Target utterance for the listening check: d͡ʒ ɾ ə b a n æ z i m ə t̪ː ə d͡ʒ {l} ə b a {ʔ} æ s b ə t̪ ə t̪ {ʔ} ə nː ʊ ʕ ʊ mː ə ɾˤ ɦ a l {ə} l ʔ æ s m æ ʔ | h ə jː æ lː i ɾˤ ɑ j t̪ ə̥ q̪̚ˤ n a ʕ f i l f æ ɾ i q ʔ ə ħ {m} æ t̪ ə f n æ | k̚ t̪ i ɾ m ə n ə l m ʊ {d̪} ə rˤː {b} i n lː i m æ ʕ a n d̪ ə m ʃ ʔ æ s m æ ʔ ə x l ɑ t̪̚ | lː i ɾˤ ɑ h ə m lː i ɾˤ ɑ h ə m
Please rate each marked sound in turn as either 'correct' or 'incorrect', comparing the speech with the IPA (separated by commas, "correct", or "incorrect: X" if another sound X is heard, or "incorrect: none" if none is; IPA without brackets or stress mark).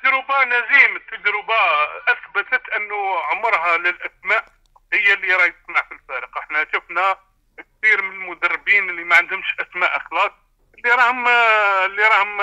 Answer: incorrect: ɾ, correct, correct, correct, incorrect: n, correct, correct